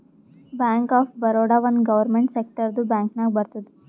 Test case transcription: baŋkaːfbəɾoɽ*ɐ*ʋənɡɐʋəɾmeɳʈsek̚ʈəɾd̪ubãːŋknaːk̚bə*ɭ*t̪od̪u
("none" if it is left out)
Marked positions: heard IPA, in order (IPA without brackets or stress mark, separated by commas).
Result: a, ɾ